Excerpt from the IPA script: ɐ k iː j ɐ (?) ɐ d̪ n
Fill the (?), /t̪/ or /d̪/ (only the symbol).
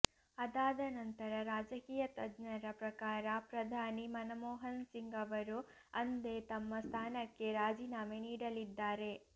t̪